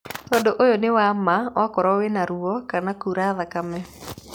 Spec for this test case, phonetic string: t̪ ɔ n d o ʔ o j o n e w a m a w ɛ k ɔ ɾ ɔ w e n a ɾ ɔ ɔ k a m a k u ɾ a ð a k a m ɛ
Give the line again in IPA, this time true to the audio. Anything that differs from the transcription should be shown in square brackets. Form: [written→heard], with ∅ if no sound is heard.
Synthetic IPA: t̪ ɔ n d o ʔ o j o n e w a m a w [ɛ→a] k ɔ ɾ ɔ w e n a ɾ [ɔ→u] ɔ k a [m→n] a k u ɾ a ð a k a m ɛ